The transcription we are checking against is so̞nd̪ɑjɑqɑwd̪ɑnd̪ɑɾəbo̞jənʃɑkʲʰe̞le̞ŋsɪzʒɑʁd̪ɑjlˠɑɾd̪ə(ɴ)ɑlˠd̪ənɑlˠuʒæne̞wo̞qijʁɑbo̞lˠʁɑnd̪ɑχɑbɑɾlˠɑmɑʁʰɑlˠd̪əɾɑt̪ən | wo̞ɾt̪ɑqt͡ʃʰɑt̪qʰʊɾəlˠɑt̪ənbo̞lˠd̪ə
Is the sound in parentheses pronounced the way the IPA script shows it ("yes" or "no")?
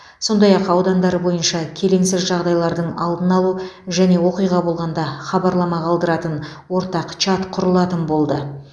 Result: yes